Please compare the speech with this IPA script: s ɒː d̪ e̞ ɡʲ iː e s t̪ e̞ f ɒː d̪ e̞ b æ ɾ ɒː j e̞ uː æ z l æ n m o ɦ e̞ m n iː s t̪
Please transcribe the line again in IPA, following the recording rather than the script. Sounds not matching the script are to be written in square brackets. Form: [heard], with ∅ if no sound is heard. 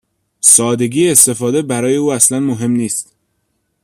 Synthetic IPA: s ɒː d̪ e̞ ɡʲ iː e s t̪ e̞ f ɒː d̪ e̞ b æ ɾ ɒː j e̞ uː æ [s] l æ n m o ɦ e̞ m n iː s t̪